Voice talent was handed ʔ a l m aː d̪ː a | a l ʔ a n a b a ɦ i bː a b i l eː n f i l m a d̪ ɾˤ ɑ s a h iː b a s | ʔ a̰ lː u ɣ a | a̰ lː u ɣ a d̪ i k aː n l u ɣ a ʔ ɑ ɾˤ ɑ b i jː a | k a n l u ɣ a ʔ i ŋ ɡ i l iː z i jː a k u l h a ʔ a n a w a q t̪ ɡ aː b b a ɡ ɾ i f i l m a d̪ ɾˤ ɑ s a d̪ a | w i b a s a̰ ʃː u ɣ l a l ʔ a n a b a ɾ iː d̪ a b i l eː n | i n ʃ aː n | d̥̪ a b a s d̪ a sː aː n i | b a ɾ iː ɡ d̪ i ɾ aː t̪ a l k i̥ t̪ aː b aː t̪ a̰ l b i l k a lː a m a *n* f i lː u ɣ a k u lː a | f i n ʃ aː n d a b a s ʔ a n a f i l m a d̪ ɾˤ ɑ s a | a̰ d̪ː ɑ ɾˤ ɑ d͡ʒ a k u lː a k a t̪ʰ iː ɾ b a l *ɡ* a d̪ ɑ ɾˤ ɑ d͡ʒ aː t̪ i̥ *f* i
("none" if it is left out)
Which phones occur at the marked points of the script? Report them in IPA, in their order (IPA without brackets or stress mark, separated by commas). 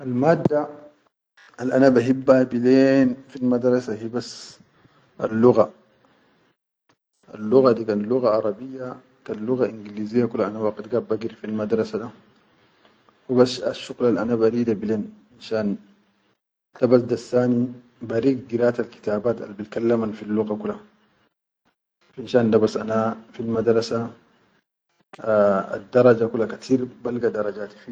n, ɡ, f